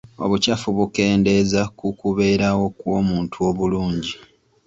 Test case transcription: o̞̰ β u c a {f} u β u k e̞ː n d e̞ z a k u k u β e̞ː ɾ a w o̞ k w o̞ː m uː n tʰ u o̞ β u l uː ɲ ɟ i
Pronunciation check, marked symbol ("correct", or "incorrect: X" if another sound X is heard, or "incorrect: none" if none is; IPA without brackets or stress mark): correct